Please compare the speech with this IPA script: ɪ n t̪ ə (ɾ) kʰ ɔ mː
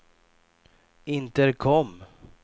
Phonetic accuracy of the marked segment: correct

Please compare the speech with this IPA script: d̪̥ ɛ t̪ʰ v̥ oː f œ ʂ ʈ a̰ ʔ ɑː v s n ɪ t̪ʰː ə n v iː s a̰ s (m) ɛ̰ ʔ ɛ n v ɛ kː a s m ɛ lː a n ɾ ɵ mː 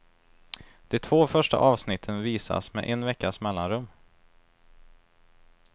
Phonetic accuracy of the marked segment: correct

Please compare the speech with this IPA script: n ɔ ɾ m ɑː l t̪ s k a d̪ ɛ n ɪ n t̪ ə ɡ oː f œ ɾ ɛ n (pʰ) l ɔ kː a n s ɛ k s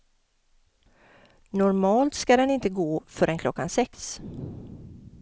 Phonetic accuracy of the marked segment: incorrect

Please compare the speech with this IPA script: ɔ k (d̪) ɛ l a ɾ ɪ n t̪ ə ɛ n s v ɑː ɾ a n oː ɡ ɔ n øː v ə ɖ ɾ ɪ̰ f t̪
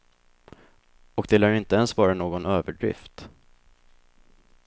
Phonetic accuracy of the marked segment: correct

